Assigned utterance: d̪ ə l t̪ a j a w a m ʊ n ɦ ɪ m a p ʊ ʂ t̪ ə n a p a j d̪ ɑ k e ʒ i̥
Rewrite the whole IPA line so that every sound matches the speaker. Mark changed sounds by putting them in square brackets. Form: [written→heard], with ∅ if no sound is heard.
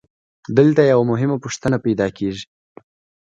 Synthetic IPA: d̪ ə l t̪ a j a w a m ʊ [n→∅] ɦ ɪ m a p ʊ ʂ t̪ ə n a p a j d̪ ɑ k e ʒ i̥